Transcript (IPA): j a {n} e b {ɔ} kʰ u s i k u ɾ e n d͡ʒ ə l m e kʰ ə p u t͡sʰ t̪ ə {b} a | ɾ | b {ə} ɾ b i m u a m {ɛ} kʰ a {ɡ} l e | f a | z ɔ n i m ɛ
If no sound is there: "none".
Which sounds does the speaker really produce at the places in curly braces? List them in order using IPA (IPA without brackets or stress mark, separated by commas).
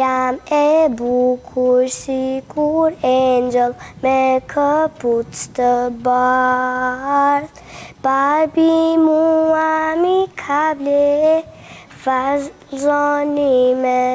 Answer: m, u, b, a, i, b